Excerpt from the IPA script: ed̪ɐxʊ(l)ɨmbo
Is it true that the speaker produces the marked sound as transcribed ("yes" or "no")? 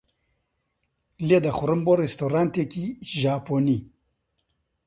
no